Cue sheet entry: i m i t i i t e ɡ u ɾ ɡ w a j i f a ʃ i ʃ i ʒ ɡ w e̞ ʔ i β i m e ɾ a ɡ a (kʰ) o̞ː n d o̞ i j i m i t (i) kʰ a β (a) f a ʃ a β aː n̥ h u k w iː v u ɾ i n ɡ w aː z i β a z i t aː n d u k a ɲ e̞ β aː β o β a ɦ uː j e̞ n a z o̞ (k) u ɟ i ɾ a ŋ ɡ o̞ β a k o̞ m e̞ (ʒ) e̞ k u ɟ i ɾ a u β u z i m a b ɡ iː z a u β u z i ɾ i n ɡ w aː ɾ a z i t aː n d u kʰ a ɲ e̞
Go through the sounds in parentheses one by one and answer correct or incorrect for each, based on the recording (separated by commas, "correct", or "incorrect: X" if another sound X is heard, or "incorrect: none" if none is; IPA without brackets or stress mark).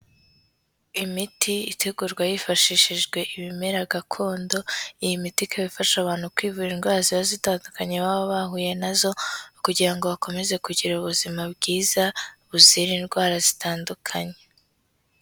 correct, correct, incorrect: i, correct, incorrect: z